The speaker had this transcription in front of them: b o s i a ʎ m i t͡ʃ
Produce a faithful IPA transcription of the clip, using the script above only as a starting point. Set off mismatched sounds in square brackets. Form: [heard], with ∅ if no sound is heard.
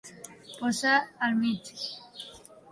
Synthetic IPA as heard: [p] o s [a] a [l] m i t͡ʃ